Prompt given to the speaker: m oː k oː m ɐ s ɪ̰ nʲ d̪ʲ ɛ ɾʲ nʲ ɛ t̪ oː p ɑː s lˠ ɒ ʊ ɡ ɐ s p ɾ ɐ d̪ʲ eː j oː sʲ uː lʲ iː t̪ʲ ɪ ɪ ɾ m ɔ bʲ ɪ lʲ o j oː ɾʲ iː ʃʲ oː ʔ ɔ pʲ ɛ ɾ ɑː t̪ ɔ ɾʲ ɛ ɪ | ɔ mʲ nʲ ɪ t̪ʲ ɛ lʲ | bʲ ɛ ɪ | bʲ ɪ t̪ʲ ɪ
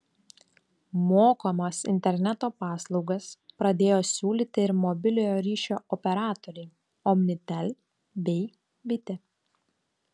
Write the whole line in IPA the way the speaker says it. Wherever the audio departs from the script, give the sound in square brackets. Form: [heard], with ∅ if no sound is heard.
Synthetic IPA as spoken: m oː k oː m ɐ s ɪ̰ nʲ [t̪ʲ] ɛ ɾʲ nʲ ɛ t̪ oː p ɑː s lˠ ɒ ʊ ɡ ɐ s p ɾ ɐ d̪ʲ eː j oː sʲ uː lʲ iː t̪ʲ ɪ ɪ ɾ m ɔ bʲ ɪ lʲ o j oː ɾʲ iː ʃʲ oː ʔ ɔ pʲ ɛ ɾ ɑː t̪ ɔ ɾʲ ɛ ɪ | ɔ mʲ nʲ ɪ t̪ʲ ɛ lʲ | bʲ ɛ ɪ | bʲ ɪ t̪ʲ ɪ